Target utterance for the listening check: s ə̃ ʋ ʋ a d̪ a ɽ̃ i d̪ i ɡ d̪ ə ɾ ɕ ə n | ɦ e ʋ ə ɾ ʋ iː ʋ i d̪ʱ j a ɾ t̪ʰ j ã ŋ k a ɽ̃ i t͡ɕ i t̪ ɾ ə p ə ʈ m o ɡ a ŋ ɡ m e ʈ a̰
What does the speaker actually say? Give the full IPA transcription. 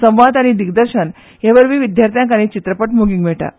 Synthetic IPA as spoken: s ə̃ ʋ ʋ a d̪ a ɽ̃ i d̪ i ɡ d̪ ə ɾ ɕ ə n | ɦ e ʋ ə ɾ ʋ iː ʋ i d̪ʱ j a ɾ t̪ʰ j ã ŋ k a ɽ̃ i t͡ɕ i t̪ ɾ ə p ə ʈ m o ɡ i ŋ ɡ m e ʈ a̰